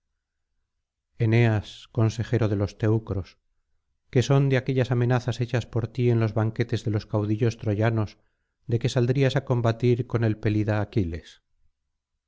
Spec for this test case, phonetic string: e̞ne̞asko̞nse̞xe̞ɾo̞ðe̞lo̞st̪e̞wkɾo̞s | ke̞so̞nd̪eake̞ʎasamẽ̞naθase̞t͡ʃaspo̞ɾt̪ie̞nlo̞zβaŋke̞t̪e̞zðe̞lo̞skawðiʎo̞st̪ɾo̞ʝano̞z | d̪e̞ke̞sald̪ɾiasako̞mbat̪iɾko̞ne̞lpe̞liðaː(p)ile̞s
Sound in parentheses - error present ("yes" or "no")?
yes